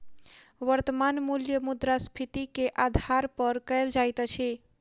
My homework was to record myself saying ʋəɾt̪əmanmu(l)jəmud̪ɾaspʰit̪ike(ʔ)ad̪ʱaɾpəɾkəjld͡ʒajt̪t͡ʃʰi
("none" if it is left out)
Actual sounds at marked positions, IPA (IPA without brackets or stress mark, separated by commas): l, ʔ